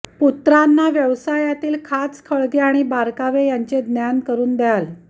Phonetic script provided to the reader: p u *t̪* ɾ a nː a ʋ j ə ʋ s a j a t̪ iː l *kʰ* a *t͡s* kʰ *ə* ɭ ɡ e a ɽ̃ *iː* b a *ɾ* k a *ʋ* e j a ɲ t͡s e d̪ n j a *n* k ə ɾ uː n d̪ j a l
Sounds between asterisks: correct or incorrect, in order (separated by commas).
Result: correct, correct, correct, correct, incorrect, correct, correct, correct